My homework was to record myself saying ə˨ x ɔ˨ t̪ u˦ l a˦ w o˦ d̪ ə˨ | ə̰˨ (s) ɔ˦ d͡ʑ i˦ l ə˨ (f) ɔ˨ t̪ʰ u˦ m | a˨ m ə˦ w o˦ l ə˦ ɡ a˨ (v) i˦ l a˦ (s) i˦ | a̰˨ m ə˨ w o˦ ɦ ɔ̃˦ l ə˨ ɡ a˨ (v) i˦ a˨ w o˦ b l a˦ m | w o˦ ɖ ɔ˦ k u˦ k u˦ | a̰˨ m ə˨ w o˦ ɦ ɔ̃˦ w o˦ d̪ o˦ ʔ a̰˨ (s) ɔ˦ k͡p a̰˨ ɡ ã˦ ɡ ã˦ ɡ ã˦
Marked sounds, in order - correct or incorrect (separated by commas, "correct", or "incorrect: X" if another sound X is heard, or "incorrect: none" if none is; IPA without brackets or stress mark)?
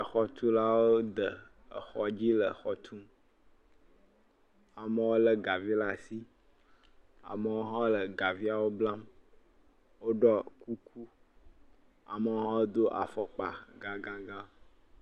incorrect: x, incorrect: x, correct, correct, correct, incorrect: f